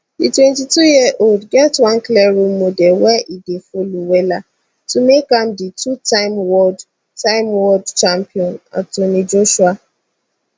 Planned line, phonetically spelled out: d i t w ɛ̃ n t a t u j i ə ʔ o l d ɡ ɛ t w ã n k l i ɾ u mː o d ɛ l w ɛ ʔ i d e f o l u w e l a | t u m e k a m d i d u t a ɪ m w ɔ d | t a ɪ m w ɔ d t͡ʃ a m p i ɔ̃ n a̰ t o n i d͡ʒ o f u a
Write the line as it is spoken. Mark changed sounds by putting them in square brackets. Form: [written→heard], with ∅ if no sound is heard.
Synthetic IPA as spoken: d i t w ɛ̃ n t [a→i] t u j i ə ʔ o l d ɡ ɛ t w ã n k l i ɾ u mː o d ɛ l w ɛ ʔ i d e f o l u w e l a | t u m e k a m d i [d→t] u t a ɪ m w ɔ d | t a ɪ m w ɔ d t͡ʃ a m p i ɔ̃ n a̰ t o n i d͡ʒ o [f→ʃ] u a